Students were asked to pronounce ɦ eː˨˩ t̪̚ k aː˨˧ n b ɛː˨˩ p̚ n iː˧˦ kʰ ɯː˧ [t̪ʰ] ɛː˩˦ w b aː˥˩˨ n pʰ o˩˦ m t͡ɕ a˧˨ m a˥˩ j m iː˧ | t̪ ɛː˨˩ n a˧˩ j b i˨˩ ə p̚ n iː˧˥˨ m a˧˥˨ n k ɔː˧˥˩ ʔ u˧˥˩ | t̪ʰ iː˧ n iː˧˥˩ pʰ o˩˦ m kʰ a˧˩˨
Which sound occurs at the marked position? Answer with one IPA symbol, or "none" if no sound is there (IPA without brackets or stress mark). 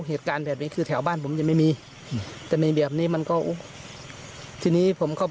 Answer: t̪ʰ